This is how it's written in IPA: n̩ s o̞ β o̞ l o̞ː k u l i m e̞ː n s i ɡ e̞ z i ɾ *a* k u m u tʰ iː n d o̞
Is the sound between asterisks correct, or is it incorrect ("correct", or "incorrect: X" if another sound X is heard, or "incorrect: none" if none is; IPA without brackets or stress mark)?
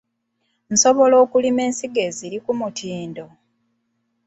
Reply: incorrect: i